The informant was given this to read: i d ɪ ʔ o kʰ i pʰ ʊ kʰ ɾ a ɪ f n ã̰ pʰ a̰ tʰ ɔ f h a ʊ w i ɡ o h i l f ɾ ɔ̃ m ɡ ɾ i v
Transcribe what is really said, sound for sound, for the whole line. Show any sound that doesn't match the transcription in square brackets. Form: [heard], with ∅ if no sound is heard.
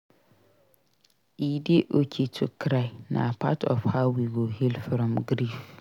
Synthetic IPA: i d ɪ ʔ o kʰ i [tʰ] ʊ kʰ ɾ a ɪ [∅] n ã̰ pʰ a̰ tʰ ɔ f h a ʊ w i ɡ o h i l f ɾ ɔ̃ m ɡ ɾ i [f]